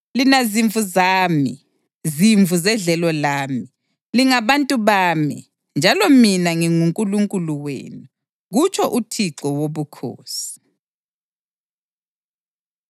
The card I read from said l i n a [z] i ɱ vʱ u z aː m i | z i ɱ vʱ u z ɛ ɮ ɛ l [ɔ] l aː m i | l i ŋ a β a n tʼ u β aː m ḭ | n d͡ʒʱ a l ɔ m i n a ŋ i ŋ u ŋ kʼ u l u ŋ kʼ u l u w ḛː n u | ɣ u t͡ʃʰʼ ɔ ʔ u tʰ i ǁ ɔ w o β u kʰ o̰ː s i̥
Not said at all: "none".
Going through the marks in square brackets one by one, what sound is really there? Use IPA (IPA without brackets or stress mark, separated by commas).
z, ɔ